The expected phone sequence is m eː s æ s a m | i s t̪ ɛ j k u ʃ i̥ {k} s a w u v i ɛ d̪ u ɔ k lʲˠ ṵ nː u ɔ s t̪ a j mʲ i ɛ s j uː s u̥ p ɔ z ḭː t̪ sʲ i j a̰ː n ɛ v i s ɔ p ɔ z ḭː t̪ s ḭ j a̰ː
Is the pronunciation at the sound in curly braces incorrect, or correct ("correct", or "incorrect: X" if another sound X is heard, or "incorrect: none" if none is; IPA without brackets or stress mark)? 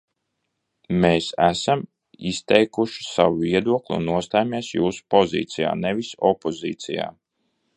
incorrect: none